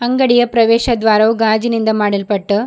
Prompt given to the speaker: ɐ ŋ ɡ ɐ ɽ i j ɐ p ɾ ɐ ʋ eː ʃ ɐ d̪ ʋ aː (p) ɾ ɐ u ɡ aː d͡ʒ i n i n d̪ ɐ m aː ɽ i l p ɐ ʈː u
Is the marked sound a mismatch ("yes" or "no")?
yes